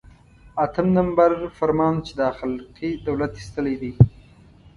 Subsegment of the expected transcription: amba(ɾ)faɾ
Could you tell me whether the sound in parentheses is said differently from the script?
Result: no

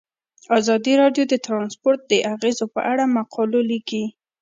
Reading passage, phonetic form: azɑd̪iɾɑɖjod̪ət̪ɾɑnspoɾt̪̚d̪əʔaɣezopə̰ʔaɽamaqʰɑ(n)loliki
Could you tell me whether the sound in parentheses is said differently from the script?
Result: yes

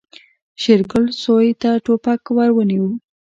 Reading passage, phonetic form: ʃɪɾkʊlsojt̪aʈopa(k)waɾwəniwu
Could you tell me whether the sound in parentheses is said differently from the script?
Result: no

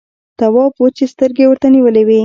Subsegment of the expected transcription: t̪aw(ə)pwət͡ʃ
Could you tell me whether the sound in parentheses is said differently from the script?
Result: yes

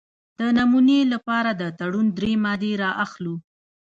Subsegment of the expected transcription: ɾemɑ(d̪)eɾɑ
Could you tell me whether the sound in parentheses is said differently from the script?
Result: no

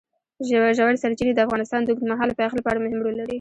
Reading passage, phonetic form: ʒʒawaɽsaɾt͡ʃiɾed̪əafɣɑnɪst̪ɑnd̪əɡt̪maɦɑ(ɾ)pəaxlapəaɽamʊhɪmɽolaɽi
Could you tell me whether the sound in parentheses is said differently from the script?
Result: yes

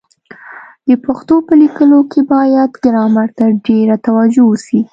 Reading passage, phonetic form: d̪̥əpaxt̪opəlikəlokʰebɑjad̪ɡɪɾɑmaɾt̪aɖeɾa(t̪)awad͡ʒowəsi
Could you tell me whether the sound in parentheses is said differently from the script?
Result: no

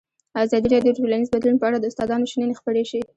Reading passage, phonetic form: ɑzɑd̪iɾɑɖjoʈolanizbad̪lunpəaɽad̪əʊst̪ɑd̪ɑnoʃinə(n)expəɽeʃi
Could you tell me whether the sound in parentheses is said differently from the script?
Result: no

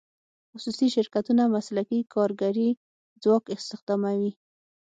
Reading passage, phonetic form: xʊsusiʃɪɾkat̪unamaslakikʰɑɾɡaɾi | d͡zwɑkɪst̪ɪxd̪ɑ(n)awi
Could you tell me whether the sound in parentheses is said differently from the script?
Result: yes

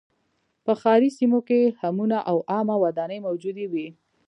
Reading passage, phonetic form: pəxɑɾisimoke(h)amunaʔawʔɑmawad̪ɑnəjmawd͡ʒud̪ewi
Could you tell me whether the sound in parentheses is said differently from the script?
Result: no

